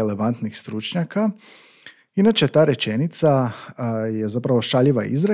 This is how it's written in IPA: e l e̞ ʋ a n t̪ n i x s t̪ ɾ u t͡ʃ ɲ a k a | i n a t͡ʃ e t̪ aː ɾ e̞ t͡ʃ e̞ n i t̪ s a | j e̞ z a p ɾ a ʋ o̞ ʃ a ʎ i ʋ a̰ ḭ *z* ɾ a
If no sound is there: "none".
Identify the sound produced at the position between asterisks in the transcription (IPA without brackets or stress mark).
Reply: z